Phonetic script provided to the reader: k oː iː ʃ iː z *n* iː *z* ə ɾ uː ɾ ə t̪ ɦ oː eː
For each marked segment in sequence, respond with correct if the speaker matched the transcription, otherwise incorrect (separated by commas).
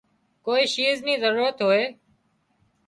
correct, correct